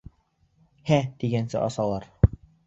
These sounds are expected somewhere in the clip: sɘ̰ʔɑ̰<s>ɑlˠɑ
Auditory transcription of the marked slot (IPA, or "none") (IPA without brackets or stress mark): s